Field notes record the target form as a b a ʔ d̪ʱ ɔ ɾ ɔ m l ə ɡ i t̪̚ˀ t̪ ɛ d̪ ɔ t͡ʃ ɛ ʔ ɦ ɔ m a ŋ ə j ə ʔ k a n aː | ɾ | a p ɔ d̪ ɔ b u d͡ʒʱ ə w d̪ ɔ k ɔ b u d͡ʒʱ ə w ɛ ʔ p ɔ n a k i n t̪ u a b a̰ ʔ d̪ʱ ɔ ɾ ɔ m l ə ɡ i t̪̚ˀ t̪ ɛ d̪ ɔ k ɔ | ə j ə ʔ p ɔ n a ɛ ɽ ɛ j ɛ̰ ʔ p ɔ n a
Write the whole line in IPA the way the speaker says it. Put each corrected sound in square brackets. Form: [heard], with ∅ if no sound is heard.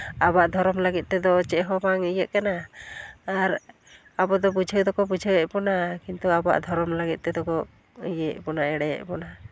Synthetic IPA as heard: a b a ʔ d̪ʱ ɔ ɾ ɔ m l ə ɡ i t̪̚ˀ t̪ ɛ d̪ ɔ t͡ʃ ɛ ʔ ɦ ɔ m a ŋ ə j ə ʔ k a n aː | ɾ | a [b] ɔ d̪ ɔ b u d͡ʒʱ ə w d̪ ɔ k ɔ b u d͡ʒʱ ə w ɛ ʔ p ɔ n a k i n t̪ u a b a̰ ʔ d̪ʱ ɔ ɾ ɔ m l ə ɡ i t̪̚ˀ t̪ ɛ d̪ ɔ k ɔ | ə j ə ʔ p ɔ n a ɛ ɽ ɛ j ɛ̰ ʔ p ɔ n a